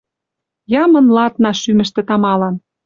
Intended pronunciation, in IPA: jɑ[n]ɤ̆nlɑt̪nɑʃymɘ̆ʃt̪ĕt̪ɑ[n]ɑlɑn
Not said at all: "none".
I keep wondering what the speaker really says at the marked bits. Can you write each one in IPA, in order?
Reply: m, m

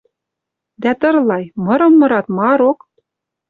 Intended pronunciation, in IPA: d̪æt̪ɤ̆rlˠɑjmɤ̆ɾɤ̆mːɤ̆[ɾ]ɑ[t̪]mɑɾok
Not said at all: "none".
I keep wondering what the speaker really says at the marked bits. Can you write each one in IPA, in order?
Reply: ɾ, t̪

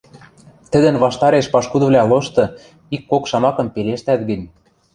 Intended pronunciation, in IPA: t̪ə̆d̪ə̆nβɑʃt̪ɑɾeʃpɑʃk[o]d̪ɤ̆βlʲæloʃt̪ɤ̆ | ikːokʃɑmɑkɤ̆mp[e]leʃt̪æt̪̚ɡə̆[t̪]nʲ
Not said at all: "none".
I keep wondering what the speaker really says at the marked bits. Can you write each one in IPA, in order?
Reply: u, e, none

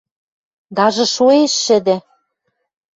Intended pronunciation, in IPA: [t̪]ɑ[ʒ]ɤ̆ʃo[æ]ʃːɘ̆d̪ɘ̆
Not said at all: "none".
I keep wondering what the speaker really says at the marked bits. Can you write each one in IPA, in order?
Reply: d̪, ʒ, e

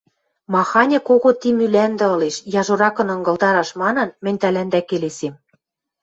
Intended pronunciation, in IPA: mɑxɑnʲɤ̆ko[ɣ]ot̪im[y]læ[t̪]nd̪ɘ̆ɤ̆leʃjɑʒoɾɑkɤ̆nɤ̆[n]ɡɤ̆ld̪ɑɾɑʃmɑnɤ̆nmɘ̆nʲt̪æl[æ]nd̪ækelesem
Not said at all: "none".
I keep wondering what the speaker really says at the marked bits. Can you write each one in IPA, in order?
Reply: ɣ, y, none, ŋ, æ

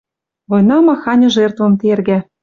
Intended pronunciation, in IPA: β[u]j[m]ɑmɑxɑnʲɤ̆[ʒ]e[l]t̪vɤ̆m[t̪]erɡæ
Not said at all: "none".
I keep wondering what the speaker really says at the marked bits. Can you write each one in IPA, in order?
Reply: o, n, ʒ, r, t̪

